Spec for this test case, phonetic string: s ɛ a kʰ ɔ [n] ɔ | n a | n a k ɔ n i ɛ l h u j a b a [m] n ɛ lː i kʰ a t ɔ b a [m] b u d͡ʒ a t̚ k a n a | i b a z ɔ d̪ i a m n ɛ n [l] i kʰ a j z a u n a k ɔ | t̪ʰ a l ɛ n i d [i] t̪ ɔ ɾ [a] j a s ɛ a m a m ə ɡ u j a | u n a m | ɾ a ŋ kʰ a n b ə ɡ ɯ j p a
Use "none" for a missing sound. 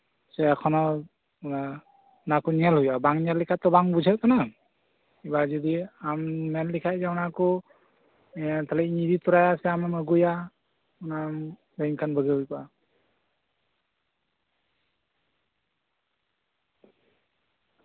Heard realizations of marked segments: n, ŋ, ŋ, l, i, a

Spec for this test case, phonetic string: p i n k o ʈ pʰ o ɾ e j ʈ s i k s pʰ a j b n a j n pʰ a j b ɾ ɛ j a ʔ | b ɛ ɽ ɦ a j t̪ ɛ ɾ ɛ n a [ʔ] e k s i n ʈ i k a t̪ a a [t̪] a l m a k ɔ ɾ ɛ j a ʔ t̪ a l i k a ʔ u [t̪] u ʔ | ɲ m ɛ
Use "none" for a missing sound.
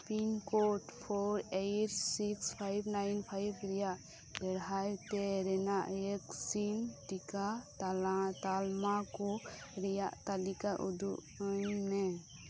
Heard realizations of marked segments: ʔ, t̪, d̪

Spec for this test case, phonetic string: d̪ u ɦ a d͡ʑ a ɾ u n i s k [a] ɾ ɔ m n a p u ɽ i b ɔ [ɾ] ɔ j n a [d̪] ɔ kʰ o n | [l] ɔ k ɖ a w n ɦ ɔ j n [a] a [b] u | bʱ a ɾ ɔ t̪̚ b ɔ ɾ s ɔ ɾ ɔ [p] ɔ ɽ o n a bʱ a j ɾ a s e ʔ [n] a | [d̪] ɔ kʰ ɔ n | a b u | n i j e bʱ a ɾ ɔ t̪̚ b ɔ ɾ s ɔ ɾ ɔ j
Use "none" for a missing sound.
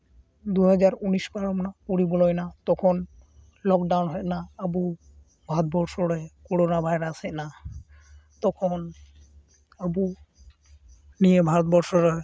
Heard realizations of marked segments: a, l, t̪, l, a, b, k, n, t̪

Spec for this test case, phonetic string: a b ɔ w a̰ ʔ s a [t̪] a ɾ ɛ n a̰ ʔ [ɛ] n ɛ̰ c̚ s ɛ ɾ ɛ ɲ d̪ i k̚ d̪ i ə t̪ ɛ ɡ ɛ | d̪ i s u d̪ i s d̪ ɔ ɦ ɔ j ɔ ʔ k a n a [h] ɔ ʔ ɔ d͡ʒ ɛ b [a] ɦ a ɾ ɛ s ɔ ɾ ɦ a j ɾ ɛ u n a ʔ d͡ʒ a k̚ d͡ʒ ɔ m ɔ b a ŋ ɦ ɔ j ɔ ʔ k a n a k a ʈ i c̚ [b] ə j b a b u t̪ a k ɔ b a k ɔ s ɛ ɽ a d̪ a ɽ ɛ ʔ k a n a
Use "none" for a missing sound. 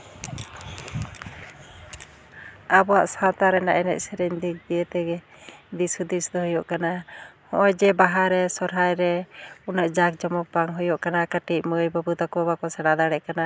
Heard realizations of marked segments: t̪, ɛ, h, a, m

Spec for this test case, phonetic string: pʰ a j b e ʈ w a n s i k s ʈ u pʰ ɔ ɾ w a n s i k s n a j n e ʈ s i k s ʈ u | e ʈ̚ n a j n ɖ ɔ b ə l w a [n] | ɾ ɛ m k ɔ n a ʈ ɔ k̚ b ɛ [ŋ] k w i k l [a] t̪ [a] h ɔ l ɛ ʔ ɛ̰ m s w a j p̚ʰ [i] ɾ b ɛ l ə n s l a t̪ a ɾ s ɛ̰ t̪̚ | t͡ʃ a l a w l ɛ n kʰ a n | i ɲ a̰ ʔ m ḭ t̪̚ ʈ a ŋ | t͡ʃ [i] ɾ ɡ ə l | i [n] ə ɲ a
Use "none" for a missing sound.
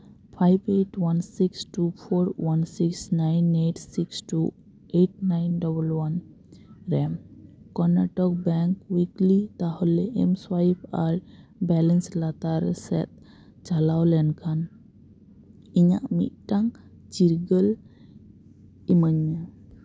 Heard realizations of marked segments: n, ŋ, i, a, a, i, m

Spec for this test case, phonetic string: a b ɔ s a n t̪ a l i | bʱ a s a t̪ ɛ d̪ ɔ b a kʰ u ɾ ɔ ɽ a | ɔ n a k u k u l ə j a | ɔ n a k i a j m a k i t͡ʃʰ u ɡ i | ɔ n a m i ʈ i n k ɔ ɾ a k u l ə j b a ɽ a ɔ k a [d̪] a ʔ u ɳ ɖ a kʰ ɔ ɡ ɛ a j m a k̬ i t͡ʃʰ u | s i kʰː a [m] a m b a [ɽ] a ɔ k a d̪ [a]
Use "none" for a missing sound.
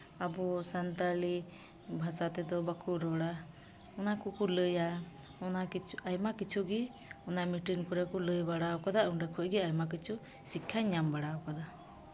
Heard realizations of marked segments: d̪, ɲ, ɽ, a

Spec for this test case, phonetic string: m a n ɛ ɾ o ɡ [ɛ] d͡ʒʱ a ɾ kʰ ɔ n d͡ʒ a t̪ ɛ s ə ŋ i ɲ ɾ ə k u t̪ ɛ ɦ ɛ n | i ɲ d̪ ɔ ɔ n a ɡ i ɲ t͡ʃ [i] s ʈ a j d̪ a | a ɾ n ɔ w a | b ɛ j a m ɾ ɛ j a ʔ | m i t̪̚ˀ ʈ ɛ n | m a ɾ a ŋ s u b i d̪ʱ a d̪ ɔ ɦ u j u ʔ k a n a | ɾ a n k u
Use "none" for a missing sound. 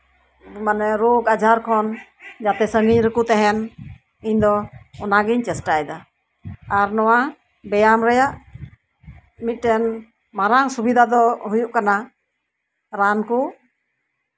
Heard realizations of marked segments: a, ɛ

